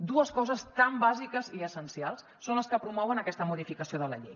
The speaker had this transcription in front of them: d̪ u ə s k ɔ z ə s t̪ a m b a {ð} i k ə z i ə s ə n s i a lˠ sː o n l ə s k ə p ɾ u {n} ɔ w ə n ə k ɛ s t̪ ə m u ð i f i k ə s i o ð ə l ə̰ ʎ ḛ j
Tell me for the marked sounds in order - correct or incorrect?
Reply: incorrect, incorrect

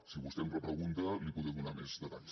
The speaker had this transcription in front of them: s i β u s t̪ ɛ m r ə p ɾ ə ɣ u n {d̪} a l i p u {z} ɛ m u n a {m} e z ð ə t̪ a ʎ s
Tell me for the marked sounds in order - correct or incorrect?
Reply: incorrect, incorrect, correct

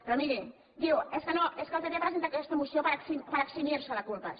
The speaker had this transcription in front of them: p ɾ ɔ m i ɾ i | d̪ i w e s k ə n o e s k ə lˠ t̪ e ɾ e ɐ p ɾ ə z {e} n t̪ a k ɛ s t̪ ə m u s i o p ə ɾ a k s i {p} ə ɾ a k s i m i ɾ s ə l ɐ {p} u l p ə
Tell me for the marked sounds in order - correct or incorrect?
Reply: correct, correct, incorrect

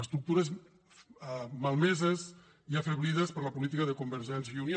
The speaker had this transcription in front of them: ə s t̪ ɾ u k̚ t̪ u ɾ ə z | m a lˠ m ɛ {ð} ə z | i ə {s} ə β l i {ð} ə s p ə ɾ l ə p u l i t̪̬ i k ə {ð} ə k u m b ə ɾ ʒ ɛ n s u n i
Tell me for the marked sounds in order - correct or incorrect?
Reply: incorrect, incorrect, correct, correct

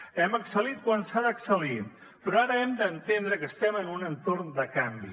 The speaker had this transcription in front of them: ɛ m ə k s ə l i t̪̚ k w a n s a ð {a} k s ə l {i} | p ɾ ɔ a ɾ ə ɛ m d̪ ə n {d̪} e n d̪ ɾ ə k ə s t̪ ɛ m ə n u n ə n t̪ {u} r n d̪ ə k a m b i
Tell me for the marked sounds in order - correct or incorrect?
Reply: incorrect, correct, incorrect, incorrect

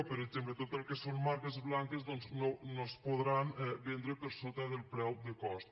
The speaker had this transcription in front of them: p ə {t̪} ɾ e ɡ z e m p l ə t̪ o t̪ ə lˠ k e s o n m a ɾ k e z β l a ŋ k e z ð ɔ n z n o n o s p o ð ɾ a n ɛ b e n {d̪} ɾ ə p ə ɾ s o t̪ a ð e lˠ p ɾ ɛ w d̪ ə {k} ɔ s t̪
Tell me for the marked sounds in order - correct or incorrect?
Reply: incorrect, correct, correct

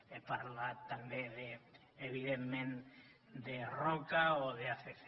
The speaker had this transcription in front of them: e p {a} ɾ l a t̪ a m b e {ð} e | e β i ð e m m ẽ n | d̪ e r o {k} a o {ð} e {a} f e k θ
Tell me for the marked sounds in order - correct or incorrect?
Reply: correct, correct, correct, correct, correct

